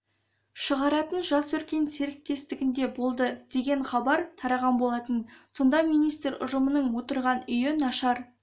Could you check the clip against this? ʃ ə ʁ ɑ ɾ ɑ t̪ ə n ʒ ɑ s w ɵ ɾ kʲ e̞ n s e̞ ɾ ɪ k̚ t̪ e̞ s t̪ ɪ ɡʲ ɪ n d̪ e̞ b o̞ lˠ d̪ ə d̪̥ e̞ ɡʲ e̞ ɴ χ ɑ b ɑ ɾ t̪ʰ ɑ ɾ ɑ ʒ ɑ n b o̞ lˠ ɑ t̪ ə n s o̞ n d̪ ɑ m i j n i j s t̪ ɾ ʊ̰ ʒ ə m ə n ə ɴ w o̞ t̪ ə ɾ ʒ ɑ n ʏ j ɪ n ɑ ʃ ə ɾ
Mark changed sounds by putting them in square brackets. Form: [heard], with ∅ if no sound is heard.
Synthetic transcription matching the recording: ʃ ə ʁ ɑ ɾ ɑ t̪ ə n ʒ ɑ s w ɵ ɾ kʲ e̞ n s e̞ ɾ ɪ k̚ t̪ e̞ s t̪ ɪ ɡʲ ɪ n d̪ e̞ b o̞ lˠ d̪ ə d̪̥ e̞ ɡʲ e̞ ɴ χ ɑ b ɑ ɾ t̪ʰ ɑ ɾ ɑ [ʁ] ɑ n b o̞ lˠ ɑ t̪ ə n s o̞ n d̪ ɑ m i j n i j s t̪ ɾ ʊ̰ ʒ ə m ə n ə ɴ w o̞ t̪ ə ɾ [ʁ] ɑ n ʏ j ɪ n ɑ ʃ [ɑ] ɾ